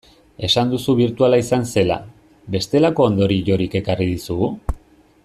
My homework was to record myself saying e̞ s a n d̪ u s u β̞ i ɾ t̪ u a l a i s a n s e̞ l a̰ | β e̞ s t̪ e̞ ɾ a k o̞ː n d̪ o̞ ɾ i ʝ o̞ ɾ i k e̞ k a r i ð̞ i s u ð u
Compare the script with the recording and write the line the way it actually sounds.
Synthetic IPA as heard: e̞ s a n d̪ u s u β̞ i ɾ t̪ u a l a i s a n s e̞ l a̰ | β e̞ s t̪ e̞ l a k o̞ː n d̪ o̞ ɾ i ʝ o̞ ɾ i k e̞ k a r i ð̞ i s u ɣ u